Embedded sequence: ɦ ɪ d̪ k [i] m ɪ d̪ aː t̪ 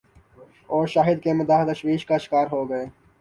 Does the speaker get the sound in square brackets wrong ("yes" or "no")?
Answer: yes